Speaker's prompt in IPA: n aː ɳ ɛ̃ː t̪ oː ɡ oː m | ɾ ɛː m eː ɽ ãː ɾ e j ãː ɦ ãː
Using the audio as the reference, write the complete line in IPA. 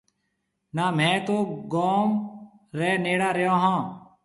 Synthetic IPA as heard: n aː m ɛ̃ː t̪ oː ɡ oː m | ɾ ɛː n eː ɽ aː ɾ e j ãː ɦ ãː